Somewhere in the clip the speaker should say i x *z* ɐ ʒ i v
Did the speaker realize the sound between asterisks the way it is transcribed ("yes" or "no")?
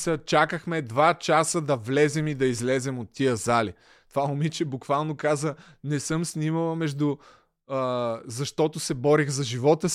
yes